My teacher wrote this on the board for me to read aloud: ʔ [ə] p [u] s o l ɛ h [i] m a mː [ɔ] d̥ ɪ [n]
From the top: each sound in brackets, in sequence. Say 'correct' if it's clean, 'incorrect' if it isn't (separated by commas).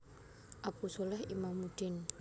incorrect, correct, correct, incorrect, correct